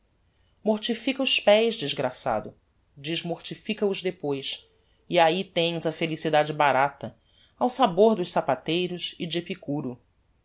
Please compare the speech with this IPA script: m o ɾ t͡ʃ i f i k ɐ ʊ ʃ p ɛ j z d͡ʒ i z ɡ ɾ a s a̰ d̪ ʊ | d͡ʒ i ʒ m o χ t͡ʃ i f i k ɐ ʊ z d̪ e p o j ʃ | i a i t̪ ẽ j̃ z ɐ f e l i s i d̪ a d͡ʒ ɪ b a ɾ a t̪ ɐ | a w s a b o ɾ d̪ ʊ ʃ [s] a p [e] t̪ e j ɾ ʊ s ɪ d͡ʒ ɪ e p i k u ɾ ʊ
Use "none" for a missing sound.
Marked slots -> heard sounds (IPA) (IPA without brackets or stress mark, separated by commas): s, a